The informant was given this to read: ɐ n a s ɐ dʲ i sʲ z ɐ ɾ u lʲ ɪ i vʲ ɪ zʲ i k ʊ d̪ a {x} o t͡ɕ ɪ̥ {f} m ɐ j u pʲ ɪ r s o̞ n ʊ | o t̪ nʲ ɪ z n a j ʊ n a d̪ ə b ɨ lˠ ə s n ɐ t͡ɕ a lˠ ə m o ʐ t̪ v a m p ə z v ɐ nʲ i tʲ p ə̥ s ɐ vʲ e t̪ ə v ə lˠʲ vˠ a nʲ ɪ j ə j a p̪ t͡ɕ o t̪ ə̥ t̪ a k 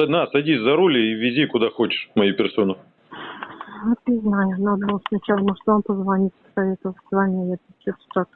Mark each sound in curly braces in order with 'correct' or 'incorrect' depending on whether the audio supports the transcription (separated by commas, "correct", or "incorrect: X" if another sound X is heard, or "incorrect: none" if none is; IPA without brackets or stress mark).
correct, incorrect: ʂ